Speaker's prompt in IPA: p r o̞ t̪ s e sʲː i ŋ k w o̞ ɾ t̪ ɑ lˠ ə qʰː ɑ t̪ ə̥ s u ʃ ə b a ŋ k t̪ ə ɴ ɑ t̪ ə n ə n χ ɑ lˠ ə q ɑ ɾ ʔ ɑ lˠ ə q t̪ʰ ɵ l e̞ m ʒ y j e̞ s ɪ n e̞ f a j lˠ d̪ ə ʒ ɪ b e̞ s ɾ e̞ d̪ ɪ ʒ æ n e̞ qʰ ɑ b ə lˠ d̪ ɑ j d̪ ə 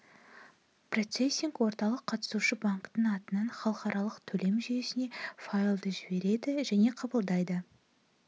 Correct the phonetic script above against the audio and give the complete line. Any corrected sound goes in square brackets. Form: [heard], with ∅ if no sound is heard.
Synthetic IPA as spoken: p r o̞ t̪ s e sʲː i ŋ k w o̞ ɾ t̪ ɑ lˠ ə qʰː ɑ t̪ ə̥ s u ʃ ə b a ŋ k t̪ ə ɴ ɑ t̪ ə n [ɑ] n χ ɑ lˠ ə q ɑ ɾ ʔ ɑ lˠ ə q t̪ʰ ɵ l e̞ m ʒ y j e̞ s ɪ n e̞ f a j lˠ d̪ ə ʒ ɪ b e̞ [∅] ɾ e̞ d̪ ɪ ʒ æ n e̞ qʰ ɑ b ə lˠ d̪ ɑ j d̪ ə

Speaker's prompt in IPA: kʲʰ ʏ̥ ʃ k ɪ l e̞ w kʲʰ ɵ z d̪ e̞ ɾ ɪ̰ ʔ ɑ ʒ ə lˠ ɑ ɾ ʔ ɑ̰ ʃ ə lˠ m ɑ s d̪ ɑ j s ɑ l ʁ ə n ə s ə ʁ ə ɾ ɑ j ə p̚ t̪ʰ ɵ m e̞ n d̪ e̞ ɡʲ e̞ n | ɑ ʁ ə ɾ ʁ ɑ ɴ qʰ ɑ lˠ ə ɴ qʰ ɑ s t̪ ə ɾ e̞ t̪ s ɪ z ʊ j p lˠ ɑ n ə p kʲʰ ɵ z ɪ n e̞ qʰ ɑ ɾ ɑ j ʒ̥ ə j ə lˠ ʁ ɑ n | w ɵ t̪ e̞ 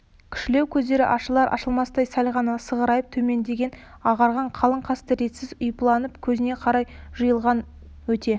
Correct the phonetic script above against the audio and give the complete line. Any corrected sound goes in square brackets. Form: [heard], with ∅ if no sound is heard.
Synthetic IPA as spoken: kʲʰ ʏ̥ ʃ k ɪ l e̞ w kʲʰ ɵ z d̪ e̞ ɾ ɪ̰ ʔ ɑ [ʃ] ə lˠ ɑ ɾ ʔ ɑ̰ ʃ ə lˠ m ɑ s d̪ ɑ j s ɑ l ʁ [ɑ] n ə s ə ʁ ə ɾ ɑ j ə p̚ t̪ʰ ɵ m e̞ n d̪ e̞ ɡʲ e̞ n | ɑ ʁ [ɑ] ɾ ʁ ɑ ɴ qʰ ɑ lˠ ə ɴ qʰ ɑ s t̪ ə ɾ e̞ t̪ s ɪ z ʊ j p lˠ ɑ n ə p kʲʰ ɵ z ɪ n e̞ qʰ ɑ ɾ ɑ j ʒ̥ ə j ə lˠ ʁ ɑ n | w ɵ t̪ e̞

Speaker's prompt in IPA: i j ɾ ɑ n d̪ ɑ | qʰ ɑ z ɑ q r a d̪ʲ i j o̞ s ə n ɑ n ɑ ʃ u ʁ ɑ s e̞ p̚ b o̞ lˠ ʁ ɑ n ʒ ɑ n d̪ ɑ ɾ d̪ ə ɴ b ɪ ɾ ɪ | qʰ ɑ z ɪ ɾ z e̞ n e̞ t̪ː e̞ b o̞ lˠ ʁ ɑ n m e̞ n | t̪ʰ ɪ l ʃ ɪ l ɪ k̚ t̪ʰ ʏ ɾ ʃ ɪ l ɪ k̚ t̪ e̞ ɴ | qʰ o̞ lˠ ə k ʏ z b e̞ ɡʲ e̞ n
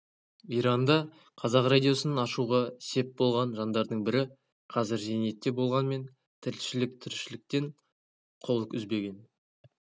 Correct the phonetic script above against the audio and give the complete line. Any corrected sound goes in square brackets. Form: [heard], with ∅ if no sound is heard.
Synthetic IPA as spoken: i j ɾ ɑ n d̪ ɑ | qʰ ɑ z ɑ q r a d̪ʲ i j o̞ s ə n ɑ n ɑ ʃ u ʁ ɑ s e̞ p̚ b o̞ lˠ ʁ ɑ n ʒ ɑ n d̪ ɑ ɾ d̪ ə ɴ b ɪ ɾ ɪ | qʰ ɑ z ɪ ɾ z e̞ n e̞ t̪ː e̞ b o̞ lˠ ʁ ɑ n m e̞ n | t̪ʰ ɪ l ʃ ɪ l ɪ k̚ t̪ʰ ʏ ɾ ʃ ɪ l ɪ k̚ t̪ e̞ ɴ | qʰ o̞ lˠ ə k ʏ z b e̞ ɡʲ e̞ n

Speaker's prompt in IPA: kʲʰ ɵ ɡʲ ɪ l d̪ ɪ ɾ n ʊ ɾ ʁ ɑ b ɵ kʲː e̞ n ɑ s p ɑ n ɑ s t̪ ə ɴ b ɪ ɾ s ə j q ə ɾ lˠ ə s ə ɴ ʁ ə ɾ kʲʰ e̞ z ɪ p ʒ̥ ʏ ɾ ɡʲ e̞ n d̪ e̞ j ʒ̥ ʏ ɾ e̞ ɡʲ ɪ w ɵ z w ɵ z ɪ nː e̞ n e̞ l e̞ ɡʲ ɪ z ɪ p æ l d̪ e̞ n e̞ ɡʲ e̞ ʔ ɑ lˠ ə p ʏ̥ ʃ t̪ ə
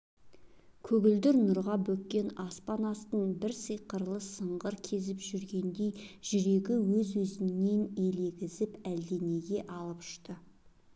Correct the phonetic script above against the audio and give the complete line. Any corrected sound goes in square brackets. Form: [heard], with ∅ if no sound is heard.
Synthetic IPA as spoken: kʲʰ ɵ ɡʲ ɪ l d̪ ɪ ɾ n ʊ ɾ ʁ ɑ b ɵ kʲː e̞ n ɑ s p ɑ n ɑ s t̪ ə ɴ b ɪ ɾ s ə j q ə ɾ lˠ ə s ə ɴ ʁ ə ɾ kʲʰ e̞ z ɪ p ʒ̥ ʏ ɾ ɡʲ e̞ n d̪ e̞ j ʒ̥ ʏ ɾ e̞ ɡʲ ɪ w ɵ z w ɵ z ɪ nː e̞ n e̞ l e̞ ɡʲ ɪ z ɪ p æ l d̪ e̞ n e̞ ɡʲ e̞ ʔ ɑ lˠ ə p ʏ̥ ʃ t̪ ə

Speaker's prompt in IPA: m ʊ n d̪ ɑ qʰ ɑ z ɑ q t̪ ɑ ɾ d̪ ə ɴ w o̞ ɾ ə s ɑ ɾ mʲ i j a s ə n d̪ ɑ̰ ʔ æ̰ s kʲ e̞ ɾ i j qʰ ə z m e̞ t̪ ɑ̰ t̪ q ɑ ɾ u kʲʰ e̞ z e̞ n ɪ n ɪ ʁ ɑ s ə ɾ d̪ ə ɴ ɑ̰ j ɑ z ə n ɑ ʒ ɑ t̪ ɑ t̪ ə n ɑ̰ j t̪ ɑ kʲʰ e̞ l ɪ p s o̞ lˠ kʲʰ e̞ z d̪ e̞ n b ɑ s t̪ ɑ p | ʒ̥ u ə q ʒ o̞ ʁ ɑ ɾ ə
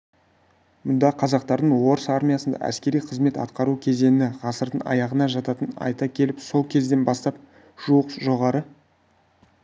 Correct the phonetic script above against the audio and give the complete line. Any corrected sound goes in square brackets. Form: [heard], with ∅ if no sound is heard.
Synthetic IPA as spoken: m ʊ n d̪ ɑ qʰ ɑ z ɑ q t̪ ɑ ɾ d̪ ə ɴ w o̞ ɾ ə s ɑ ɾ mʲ i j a s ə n d̪ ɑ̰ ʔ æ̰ s kʲ e̞ ɾ i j qʰ ə z m e̞ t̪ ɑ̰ t̪ q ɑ ɾ u kʲʰ e̞ z e̞ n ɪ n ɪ ʁ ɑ s ə ɾ d̪ ə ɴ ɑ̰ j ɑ [ʁ] ə n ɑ ʒ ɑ t̪ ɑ t̪ ə n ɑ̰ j t̪ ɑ kʲʰ e̞ l ɪ p s o̞ lˠ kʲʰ e̞ z d̪ e̞ n b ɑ s t̪ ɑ p | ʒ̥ u ə q ʒ o̞ ʁ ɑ ɾ ə

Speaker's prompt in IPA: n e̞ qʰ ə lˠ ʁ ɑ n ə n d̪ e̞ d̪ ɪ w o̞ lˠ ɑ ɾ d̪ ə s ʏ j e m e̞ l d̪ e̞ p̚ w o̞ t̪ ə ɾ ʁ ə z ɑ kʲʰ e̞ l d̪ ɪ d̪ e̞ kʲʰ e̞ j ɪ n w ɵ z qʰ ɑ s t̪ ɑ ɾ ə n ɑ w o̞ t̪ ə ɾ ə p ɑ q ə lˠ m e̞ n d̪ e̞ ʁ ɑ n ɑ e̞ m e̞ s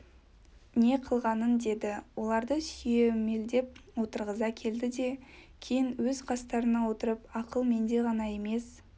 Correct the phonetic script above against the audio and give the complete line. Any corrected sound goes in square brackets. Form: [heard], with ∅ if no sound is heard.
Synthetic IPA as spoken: n e̞ qʰ ə lˠ ʁ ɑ n ə n d̪ e̞ d̪ ɪ w o̞ lˠ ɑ ɾ d̪ ə s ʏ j e m e̞ l d̪ e̞ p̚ w o̞ t̪ ə ɾ ʁ ə z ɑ kʲʰ e̞ l d̪ ɪ d̪ e̞ kʲʰ e̞ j ɪ n w ɵ z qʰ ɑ s t̪ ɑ ɾ ə n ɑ w o̞ t̪ ə ɾ ə p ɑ q ə lˠ m e̞ n d̪ e̞ ʁ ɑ n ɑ e̞ m e̞ s

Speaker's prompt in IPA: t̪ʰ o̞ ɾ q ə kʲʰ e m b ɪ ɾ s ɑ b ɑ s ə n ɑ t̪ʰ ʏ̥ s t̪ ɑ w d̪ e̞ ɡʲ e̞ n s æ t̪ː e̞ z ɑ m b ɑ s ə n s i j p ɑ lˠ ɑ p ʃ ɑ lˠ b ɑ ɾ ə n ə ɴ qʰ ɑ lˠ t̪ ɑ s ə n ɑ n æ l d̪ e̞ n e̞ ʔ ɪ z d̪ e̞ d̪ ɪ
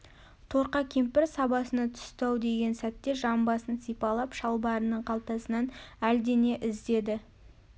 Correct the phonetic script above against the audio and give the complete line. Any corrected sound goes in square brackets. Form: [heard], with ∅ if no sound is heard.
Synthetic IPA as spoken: t̪ʰ o̞ ɾ q [ɑ] kʲʰ e m [p] ɪ ɾ s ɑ b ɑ s ə n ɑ t̪ʰ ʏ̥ s t̪ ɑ w d̪ e̞ ɡʲ e̞ n s æ t̪ː e̞ [ʒ] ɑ m b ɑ s ə n s i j p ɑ lˠ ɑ p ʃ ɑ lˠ b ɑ ɾ ə n ə ɴ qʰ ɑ lˠ t̪ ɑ s ə n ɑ n æ l d̪ e̞ n e̞ ʔ ɪ z d̪ e̞ d̪ ɪ

